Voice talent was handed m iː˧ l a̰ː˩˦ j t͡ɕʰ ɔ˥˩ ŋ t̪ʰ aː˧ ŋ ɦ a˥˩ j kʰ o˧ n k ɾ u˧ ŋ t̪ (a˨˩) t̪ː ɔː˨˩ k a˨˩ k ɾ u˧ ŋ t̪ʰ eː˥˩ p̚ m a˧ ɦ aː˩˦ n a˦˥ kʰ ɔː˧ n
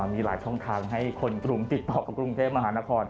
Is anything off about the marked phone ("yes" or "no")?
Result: yes